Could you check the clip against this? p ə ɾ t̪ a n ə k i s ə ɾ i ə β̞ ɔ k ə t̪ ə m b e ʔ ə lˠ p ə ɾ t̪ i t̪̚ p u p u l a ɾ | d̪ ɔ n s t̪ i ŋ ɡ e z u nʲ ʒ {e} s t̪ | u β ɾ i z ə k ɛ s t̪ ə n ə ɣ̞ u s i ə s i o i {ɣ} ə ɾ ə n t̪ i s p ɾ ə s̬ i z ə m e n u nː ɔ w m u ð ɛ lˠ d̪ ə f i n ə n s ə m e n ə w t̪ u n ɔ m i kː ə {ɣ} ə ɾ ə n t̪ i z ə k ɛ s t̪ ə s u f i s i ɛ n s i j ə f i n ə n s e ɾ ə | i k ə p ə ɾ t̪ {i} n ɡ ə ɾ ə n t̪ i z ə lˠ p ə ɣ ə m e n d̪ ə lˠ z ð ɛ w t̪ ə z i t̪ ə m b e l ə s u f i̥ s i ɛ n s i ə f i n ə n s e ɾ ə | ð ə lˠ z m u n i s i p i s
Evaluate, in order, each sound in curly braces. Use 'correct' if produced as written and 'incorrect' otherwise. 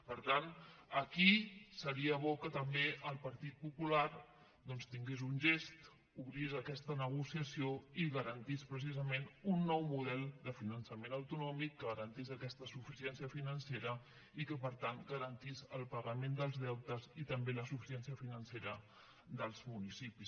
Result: correct, correct, correct, incorrect

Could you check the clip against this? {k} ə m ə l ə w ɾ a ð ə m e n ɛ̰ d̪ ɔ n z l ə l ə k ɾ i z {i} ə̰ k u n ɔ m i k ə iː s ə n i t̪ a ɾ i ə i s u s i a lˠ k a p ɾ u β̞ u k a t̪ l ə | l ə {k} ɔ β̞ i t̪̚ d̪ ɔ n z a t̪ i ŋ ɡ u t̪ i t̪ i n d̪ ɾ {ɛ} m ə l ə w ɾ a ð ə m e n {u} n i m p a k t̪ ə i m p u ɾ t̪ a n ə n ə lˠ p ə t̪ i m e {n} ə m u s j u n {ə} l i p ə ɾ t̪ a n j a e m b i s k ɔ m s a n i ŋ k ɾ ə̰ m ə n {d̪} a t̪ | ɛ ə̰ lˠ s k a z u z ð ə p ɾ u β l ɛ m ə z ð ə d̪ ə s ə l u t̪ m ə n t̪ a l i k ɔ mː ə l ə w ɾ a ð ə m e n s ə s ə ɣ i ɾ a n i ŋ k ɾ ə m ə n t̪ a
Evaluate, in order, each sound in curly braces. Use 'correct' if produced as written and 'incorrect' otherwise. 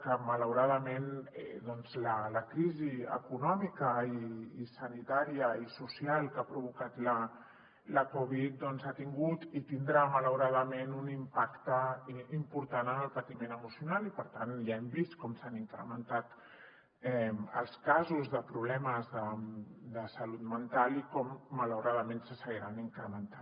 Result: correct, correct, correct, incorrect, correct, correct, incorrect, incorrect

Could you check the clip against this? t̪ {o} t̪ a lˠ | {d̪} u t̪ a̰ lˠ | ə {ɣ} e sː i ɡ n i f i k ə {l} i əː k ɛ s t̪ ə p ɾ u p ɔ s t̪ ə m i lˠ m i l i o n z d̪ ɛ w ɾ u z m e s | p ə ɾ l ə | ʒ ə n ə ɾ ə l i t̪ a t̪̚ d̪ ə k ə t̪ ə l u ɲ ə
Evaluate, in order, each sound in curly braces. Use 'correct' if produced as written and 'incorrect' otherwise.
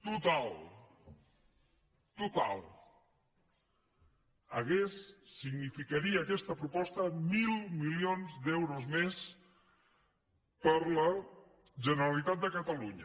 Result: incorrect, incorrect, correct, incorrect

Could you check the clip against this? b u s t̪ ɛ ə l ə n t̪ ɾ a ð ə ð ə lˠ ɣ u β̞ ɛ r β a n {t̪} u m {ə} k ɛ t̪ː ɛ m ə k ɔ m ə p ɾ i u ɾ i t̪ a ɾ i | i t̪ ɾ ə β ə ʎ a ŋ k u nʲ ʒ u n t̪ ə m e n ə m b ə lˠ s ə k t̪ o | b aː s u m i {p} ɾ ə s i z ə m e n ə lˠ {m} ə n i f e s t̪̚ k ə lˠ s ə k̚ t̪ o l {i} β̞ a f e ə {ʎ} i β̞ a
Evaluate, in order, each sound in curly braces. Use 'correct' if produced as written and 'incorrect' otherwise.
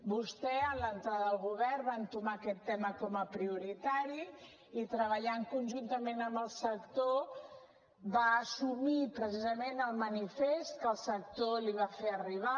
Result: correct, incorrect, correct, correct, correct, incorrect

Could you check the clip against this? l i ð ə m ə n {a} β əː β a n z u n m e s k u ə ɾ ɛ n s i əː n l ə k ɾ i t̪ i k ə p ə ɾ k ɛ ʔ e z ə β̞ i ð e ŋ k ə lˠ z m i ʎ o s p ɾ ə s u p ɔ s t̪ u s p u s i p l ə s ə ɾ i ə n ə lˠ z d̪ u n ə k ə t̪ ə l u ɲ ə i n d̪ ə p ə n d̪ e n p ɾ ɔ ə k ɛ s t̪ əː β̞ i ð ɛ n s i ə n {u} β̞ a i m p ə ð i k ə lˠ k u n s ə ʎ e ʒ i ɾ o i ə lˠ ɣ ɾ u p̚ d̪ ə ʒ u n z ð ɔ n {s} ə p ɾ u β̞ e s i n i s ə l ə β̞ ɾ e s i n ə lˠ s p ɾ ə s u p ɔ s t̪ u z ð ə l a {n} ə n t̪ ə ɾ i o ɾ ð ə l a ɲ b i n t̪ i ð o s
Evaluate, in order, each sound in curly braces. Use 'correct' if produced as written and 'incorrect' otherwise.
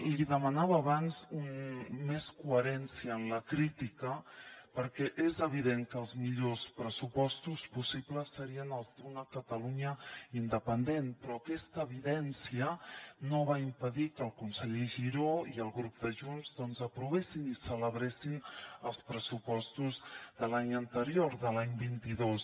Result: correct, incorrect, incorrect, incorrect

